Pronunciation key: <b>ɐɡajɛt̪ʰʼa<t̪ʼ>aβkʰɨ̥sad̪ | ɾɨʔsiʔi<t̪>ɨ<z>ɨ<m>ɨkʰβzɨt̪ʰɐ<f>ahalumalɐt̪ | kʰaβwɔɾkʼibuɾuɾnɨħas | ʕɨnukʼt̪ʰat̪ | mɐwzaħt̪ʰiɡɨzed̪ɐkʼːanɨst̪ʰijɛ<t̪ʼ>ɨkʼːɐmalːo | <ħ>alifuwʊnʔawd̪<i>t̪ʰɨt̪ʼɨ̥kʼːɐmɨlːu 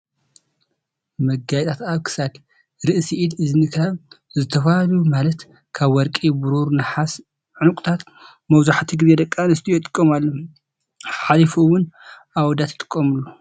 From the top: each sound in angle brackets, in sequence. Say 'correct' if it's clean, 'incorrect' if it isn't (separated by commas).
incorrect, incorrect, incorrect, correct, incorrect, correct, correct, correct, incorrect